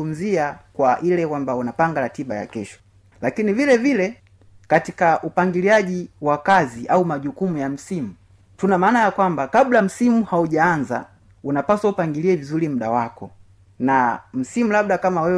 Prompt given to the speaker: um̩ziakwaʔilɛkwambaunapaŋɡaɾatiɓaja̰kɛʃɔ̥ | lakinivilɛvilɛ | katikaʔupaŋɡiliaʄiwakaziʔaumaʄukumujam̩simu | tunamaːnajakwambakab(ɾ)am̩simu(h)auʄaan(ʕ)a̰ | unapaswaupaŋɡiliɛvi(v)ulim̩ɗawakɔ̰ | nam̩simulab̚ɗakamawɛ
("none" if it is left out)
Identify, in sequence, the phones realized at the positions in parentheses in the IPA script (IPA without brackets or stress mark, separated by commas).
l, h, z, z